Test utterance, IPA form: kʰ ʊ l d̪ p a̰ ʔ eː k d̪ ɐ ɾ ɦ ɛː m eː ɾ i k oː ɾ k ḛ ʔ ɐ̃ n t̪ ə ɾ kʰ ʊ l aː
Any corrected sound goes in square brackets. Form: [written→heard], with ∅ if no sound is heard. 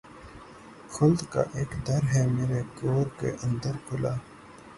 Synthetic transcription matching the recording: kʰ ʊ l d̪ [p→k] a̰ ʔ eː k d̪ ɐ ɾ ɦ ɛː m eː ɾ [i→e] k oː ɾ k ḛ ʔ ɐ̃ n [t̪→d̪] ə ɾ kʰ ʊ l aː

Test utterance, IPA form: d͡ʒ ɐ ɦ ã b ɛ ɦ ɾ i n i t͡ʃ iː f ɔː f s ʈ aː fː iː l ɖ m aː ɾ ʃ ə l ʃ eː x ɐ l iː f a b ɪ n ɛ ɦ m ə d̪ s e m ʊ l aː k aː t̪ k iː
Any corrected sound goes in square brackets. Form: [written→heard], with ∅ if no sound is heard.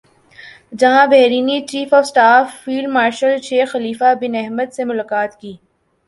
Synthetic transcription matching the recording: d͡ʒ ɐ ɦ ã b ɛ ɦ ɾ [i→iː] n i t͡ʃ iː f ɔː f s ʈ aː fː iː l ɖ m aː ɾ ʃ ə l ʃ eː x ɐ l iː f a b ɪ n ɛ ɦ m ə d̪ s e m ʊ l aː k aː t̪ k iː

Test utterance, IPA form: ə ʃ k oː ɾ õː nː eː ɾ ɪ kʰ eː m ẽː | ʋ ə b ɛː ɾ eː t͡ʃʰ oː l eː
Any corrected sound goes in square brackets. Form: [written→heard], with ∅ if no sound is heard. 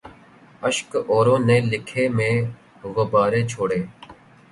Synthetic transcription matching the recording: ə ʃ k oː ɾ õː [nː→n] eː [ɾ→l] ɪ kʰ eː m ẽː | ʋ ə b [ɛː→aː] ɾ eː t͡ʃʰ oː [l→ɽ] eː

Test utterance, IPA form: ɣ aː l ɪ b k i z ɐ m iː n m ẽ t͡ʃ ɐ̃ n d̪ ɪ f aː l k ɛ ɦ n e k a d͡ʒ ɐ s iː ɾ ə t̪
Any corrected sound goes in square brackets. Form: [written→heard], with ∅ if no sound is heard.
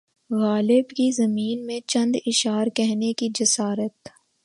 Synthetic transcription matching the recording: ɣ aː l ɪ b k i z ɐ m iː n m ẽ t͡ʃ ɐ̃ n d̪ ɪ [f→ʃ] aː [l→ɾ] k ɛ ɦ n e k [a→i] d͡ʒ ɐ s [iː→aː] ɾ ə t̪

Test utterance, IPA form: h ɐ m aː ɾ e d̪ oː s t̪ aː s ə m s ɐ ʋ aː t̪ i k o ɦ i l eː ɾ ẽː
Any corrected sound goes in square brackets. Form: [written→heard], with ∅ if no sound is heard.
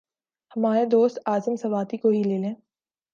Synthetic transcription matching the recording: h ɐ m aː ɾ e d̪ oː s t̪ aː [s→z] ə m s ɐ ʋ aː t̪ i k o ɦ i l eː [ɾ→l] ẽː

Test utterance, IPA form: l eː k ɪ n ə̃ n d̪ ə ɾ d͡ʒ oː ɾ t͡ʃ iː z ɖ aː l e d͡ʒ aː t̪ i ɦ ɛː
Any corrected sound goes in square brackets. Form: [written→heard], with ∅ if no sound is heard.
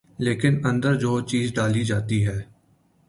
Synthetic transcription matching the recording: l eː k ɪ n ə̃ n d̪ ə ɾ d͡ʒ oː [ɾ→∅] t͡ʃ iː z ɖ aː l [e→i] d͡ʒ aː t̪ i ɦ ɛː

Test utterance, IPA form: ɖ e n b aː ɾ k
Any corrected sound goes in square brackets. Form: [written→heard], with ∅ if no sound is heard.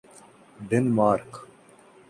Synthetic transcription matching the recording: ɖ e n [b→m] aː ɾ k

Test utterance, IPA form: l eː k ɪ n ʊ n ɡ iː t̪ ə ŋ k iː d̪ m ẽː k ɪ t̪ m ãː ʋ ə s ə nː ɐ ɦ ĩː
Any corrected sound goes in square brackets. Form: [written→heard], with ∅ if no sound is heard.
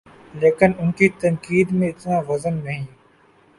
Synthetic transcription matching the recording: l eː k ɪ n ʊ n [ɡ→k] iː t̪ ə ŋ k iː d̪ m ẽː [k→∅] ɪ t̪ [m→n] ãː ʋ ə [s→z] ə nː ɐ ɦ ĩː

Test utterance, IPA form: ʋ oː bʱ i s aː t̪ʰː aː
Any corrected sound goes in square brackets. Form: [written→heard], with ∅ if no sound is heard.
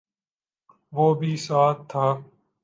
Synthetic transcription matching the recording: ʋ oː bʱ [i→iː] s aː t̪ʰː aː

